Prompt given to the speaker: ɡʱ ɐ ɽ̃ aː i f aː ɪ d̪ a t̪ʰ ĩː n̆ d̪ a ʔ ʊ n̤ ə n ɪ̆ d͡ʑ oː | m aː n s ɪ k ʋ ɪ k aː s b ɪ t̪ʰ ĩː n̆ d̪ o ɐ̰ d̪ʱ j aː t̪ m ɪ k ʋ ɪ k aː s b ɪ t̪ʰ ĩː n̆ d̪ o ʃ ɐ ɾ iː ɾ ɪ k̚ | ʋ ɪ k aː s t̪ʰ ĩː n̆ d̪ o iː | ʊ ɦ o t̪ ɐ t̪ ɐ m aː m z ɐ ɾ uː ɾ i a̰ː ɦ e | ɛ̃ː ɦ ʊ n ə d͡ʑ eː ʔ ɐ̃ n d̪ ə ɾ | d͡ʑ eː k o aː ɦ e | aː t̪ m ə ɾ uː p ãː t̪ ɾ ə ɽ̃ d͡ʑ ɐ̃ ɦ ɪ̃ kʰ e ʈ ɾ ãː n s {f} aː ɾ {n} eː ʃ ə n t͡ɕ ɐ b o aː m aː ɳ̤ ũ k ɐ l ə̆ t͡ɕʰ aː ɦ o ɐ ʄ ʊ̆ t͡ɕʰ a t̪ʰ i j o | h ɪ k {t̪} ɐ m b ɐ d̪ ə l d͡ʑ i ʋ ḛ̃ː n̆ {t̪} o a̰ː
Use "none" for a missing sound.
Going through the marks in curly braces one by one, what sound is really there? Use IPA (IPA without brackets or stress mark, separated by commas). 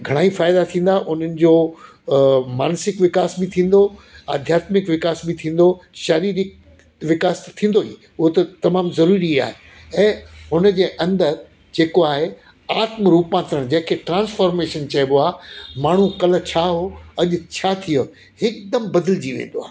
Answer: f, m, d̪, d̪